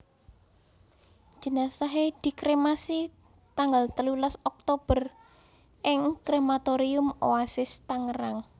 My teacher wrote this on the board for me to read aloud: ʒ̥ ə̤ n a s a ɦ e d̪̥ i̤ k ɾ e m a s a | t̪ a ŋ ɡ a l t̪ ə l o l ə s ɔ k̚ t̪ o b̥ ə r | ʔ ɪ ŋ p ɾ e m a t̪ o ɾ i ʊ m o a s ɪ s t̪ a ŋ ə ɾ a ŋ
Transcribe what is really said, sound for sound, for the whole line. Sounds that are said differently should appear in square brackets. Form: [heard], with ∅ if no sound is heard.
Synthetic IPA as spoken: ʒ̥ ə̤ n a s a ɦ e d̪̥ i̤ k ɾ e m a s [i] | t̪ a ŋ ɡ a l t̪ ə l [u] l [a] s ɔ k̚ t̪ o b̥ ə r | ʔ ɪ ŋ [k] ɾ e m a t̪ o ɾ i ʊ m o a s ɪ s t̪ a ŋ ə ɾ a ŋ